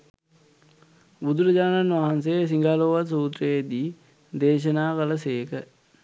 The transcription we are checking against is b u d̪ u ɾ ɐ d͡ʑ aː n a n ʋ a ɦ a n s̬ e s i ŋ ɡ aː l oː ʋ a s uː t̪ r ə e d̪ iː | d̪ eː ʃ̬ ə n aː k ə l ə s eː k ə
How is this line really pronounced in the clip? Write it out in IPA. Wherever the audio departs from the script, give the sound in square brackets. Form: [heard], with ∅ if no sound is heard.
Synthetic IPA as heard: b u d̪ u ɾ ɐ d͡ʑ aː n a n ʋ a ɦ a n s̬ e s i ŋ ɡ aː l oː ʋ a s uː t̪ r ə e d̪ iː | d̪ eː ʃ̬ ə n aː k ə l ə s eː k ə

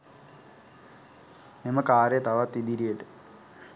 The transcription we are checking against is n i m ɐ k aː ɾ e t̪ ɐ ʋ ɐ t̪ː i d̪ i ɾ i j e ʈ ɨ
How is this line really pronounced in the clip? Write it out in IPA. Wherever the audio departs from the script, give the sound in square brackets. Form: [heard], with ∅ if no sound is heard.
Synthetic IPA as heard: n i m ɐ k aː ɾ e t̪ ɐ ʋ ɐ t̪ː i d̪ i ɾ i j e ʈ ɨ

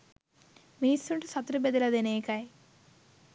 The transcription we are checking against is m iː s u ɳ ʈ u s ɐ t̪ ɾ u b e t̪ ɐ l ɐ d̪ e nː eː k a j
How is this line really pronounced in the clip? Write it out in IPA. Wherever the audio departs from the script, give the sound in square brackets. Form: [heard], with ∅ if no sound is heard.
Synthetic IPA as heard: m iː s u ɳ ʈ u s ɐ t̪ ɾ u b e [d̪] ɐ l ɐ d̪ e [n] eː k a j

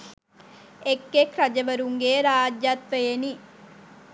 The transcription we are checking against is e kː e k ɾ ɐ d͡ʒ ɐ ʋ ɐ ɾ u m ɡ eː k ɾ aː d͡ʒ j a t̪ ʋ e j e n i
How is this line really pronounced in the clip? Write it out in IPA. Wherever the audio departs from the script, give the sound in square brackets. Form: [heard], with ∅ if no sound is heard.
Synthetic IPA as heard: e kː e k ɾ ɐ d͡ʒ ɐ ʋ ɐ ɾ u [ŋ] ɡ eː [∅] ɾ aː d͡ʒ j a t̪ ʋ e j e n i

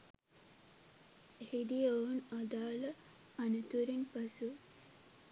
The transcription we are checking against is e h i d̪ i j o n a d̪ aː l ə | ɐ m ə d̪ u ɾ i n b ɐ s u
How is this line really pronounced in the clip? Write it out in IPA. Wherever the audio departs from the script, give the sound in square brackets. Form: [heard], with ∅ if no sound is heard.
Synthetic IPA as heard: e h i d̪ i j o n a d̪ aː l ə | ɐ [n] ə [t̪] u ɾ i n [p] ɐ s u

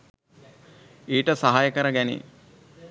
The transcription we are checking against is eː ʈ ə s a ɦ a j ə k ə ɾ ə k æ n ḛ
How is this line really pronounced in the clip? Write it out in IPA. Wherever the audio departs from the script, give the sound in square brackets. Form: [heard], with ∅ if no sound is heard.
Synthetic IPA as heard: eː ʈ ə s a ɦ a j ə k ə ɾ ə [ɡ] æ n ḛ

